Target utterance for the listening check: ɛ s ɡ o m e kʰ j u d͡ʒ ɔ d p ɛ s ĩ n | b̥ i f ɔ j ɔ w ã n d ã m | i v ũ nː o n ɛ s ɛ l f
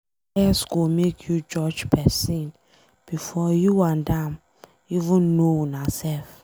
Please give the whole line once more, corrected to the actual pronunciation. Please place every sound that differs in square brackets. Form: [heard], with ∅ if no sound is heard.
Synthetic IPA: ɛ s ɡ o m e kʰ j u d͡ʒ ɔ [d͡ʒ] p ɛ s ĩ n | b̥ i f ɔ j [u] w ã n d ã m | i v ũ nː o n [a] s ɛ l f